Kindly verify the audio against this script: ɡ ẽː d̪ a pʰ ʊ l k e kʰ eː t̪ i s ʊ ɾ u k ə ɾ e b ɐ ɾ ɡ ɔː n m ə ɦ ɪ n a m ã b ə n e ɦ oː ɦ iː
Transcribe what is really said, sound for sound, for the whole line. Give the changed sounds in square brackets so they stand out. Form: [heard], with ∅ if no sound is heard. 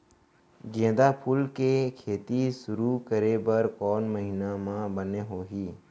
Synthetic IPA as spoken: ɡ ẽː d̪ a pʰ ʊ l k e kʰ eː t̪ i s ʊ ɾ u k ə ɾ e b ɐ ɾ [k] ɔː n m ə ɦ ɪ n a m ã b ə n e ɦ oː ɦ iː